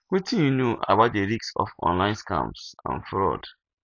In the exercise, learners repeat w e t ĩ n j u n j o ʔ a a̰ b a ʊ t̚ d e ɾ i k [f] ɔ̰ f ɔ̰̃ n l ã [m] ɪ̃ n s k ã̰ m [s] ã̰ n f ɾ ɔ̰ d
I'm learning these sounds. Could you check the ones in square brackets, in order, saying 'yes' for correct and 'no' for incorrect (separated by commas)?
no, no, yes